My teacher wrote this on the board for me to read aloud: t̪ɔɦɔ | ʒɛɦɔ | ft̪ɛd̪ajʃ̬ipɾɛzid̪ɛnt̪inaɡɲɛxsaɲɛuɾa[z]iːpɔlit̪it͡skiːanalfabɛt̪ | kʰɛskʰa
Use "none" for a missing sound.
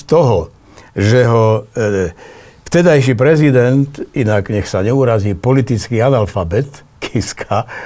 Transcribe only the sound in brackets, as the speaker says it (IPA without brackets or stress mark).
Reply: z